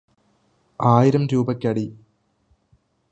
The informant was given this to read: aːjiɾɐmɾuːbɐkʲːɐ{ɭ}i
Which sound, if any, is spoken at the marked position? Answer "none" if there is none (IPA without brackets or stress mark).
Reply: ɽ